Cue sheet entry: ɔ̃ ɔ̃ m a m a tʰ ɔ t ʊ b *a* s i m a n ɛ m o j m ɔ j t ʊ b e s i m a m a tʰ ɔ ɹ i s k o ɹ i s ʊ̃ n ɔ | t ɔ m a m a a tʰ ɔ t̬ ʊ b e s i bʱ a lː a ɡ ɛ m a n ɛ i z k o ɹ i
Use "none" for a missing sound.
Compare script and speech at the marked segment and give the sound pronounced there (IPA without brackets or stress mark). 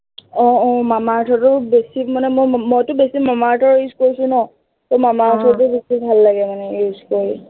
e